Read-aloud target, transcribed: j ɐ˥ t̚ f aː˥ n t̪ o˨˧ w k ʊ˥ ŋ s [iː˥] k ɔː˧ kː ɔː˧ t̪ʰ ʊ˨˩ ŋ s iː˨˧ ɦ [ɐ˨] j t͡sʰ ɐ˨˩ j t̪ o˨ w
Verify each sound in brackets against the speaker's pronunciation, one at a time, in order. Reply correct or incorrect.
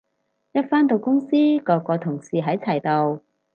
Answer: correct, incorrect

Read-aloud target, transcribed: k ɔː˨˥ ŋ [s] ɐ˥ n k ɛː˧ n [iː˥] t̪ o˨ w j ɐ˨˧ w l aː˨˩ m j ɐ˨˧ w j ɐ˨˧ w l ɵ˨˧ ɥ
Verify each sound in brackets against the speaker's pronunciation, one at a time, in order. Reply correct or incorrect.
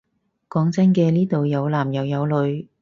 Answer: incorrect, correct

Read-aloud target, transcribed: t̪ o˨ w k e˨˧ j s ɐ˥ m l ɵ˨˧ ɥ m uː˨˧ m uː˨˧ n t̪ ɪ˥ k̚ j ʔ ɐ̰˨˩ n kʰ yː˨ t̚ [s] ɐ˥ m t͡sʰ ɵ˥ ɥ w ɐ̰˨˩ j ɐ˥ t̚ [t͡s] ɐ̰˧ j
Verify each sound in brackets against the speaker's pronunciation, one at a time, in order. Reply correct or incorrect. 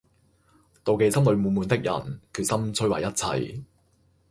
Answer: correct, incorrect

